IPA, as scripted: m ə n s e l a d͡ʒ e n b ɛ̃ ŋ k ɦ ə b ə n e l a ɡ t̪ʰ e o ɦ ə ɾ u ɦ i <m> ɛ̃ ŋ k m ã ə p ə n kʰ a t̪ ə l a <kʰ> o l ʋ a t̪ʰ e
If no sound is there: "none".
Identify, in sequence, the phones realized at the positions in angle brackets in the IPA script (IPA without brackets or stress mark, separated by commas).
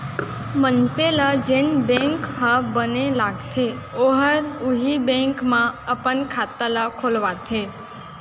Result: b, kʰ